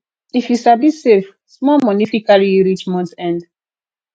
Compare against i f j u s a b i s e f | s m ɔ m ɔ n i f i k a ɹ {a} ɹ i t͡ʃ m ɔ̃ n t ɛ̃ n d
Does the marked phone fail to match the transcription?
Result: yes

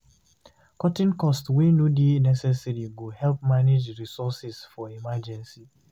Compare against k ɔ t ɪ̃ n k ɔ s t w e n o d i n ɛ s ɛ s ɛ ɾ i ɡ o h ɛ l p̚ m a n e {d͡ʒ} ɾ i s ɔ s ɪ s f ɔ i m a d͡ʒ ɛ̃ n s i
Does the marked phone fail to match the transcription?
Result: no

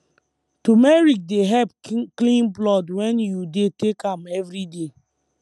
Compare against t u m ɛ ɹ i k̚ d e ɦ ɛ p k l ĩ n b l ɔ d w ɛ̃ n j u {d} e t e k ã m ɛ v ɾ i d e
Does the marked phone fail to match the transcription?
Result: no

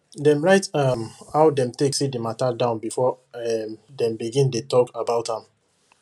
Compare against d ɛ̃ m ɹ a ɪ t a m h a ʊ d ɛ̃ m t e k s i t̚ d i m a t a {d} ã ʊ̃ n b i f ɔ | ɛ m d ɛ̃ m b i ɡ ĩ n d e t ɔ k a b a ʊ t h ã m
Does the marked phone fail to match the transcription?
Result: no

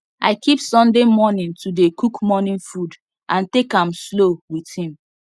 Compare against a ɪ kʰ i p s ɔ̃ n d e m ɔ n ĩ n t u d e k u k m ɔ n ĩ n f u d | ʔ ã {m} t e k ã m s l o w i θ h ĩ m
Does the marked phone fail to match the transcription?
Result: yes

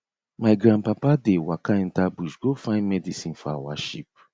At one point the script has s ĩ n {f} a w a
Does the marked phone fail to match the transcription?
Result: no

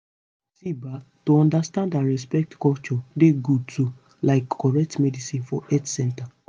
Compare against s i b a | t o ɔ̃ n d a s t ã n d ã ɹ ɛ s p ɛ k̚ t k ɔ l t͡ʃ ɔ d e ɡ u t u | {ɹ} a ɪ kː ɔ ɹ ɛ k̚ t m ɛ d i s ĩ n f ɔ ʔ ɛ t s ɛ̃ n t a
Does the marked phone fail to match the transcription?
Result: yes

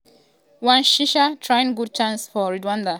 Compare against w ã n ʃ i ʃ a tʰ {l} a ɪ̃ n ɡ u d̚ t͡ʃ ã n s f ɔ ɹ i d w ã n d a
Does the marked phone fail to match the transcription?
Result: yes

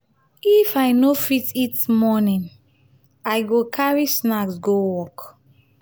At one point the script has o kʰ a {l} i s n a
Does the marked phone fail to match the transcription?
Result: yes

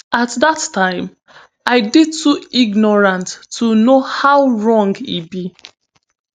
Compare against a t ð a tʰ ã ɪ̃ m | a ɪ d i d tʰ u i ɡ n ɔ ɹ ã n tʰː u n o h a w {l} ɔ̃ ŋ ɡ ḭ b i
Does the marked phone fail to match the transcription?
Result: yes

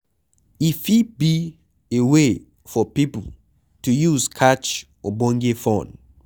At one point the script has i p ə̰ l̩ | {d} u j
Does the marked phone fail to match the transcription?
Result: yes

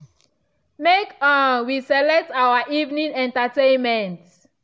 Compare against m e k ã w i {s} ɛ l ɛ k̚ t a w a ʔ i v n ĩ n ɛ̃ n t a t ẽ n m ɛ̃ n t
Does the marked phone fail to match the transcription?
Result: no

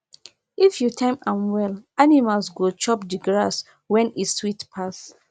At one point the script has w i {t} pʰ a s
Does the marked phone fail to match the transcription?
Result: no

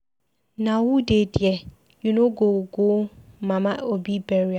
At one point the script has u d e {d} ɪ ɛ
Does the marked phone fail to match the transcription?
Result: no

